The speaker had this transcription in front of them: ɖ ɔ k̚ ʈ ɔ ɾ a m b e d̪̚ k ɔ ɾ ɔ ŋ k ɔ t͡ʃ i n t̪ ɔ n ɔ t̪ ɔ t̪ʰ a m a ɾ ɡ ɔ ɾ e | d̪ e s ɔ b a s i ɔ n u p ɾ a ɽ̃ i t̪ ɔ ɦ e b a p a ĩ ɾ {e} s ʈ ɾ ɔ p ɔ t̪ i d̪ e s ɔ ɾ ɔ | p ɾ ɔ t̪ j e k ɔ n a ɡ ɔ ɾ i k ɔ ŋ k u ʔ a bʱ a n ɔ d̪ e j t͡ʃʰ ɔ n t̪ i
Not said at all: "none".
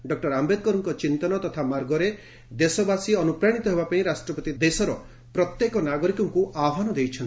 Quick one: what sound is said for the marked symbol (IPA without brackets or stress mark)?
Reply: a